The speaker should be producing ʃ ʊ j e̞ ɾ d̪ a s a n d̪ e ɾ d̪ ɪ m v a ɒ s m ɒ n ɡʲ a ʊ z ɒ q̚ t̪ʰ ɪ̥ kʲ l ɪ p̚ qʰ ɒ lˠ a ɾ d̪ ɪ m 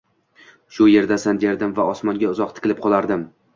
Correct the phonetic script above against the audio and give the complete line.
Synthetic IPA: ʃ ʊ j e̞ ɾ d̪ a s a n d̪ e ɾ d̪ ɪ m v a ɒ s m ɒ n ɡʲ a ʊ z ɒ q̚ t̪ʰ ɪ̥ kʲ l ɪ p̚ qʰ ɒ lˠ a ɾ d̪ ɪ m